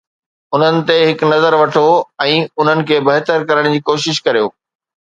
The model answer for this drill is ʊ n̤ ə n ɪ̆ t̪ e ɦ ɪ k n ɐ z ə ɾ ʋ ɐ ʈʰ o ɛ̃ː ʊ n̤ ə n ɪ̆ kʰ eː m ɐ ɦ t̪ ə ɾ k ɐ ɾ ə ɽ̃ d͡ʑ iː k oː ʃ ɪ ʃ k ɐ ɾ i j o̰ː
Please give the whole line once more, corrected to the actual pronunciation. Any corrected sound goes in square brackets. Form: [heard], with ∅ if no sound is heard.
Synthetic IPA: ʊ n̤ ə n ɪ̆ t̪ e ɦ ɪ k n ɐ z ə ɾ ʋ ɐ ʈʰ o ɛ̃ː ʊ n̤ ə n ɪ̆ kʰ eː [b] ɐ ɦ t̪ ə ɾ k ɐ ɾ ə ɽ̃ d͡ʑ iː k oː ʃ ɪ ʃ k ɐ ɾ i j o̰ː